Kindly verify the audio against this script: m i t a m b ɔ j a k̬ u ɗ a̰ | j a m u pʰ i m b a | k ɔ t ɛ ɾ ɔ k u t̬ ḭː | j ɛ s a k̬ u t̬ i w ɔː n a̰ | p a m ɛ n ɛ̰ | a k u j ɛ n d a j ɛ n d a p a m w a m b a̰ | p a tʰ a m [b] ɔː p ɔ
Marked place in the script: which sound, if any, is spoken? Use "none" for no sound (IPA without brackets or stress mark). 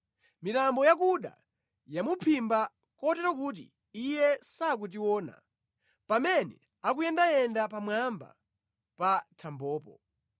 b